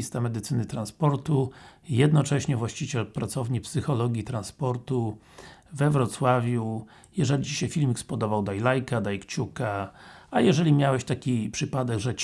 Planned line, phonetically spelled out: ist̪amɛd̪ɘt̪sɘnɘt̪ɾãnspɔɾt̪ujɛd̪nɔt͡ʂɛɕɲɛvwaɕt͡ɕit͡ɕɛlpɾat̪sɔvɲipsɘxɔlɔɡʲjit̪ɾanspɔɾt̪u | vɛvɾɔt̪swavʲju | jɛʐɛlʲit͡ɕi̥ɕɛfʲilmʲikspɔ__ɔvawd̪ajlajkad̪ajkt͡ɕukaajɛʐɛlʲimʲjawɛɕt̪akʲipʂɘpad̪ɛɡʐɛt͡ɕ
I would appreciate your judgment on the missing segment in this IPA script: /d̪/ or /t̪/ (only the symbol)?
d̪